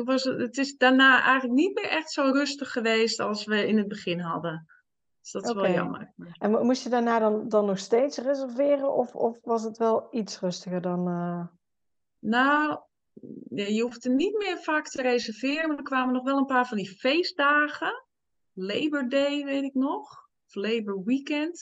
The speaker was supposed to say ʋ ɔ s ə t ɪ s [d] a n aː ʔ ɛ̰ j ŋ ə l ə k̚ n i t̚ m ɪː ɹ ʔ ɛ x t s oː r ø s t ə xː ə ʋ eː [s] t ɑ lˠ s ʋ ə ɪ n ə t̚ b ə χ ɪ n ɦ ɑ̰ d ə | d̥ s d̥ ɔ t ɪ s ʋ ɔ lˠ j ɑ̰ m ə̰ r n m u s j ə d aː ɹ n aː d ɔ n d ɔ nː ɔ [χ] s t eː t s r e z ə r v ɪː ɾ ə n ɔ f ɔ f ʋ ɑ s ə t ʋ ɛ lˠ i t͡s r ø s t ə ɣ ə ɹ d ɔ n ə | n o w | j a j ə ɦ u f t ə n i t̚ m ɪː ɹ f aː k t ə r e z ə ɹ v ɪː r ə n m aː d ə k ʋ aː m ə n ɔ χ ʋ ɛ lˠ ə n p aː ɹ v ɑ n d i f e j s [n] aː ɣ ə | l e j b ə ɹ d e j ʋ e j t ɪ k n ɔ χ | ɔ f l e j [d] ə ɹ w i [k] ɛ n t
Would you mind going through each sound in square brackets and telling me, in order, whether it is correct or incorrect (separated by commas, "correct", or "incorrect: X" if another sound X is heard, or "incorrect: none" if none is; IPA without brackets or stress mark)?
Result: correct, correct, incorrect: x, incorrect: d, incorrect: b, correct